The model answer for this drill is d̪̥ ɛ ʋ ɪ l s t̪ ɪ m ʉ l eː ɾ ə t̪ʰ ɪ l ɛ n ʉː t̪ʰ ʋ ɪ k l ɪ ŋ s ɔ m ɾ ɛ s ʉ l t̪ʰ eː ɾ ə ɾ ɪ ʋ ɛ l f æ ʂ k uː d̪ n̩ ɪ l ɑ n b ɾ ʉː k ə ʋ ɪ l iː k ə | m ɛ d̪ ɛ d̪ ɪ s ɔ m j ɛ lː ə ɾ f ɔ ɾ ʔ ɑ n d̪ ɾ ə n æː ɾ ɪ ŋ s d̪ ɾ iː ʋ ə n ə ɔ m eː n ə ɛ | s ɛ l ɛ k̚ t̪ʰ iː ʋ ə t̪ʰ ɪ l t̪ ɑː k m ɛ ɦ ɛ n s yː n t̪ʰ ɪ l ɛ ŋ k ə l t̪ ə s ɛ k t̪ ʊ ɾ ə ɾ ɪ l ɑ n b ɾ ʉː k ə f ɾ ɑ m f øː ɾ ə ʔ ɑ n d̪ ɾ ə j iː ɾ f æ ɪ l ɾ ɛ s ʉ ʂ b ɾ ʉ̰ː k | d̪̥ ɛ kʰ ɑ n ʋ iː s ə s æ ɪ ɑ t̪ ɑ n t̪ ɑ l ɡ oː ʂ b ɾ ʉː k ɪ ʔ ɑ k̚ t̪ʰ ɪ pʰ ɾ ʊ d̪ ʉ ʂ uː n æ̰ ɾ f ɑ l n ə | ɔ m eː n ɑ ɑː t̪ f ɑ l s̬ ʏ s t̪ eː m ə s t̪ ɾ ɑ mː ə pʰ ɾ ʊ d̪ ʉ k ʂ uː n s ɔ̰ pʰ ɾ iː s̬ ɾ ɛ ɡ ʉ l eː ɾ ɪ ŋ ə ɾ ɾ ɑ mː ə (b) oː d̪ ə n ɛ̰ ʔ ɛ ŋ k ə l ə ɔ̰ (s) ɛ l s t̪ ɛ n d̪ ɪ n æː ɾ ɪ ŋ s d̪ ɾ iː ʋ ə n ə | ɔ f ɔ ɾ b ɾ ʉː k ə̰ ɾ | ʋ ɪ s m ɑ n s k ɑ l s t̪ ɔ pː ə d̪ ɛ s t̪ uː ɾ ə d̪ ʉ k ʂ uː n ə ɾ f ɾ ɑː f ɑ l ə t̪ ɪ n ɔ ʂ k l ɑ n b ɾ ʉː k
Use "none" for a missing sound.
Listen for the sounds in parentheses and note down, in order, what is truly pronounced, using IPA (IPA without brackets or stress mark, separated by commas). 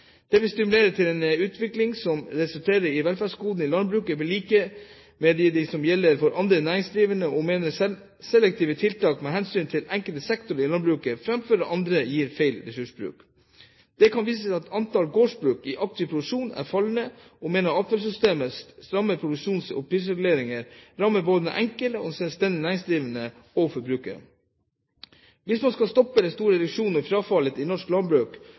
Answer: b, s